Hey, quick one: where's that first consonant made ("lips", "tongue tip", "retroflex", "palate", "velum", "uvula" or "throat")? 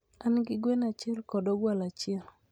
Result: tongue tip